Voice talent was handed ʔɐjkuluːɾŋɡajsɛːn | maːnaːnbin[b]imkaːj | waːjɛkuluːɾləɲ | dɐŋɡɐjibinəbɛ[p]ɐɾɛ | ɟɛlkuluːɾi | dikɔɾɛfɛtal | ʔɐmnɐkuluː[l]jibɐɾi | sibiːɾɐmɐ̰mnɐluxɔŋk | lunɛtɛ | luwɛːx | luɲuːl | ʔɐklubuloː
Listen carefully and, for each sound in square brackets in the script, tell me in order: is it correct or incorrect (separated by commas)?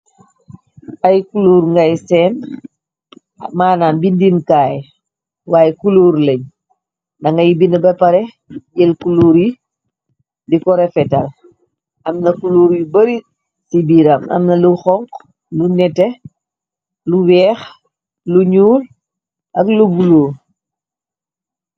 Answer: incorrect, correct, incorrect